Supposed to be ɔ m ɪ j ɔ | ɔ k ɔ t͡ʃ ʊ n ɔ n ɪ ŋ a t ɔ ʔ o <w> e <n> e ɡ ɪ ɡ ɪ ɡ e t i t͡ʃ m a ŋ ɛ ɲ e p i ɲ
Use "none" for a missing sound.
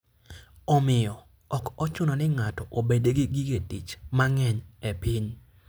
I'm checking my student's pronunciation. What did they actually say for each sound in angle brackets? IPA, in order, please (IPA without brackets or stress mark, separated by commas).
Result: b, d